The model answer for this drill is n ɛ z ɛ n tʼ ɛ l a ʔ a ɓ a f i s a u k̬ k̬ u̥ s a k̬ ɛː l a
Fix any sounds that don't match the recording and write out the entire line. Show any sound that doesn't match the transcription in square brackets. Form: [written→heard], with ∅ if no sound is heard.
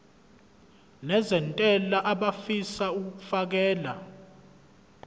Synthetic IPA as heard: n ɛ z ɛ n tʼ ɛ l a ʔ a ɓ a f i s a u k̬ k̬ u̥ [s→f] a k̬ ɛː l a